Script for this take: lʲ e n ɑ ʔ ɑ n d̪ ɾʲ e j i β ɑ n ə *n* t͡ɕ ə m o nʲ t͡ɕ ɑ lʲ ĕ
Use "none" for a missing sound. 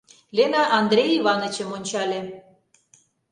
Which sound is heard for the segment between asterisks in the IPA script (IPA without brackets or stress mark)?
none